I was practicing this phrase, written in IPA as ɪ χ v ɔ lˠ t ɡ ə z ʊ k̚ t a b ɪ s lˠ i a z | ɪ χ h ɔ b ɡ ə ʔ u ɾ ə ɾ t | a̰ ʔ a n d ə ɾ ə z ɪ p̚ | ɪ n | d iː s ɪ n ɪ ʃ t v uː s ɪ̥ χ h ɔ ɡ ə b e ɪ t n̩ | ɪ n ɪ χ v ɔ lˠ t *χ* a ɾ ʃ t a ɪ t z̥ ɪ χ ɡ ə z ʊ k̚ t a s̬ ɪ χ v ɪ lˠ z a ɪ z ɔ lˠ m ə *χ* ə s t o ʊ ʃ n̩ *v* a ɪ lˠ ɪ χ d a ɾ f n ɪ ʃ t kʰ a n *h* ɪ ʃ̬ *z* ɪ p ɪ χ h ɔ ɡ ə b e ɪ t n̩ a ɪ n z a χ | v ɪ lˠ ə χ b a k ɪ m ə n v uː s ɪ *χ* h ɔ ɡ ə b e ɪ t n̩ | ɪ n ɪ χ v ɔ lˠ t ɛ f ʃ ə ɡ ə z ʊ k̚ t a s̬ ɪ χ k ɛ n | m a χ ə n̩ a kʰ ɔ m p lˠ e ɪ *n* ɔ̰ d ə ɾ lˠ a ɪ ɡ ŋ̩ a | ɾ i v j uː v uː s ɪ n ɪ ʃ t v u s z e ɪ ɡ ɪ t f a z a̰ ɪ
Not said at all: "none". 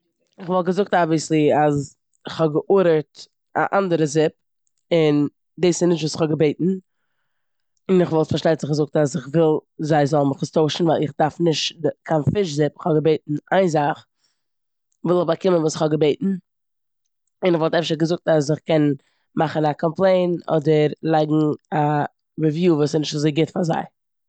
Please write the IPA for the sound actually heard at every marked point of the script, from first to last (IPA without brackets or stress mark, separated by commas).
f, χ, v, f, z, χ, n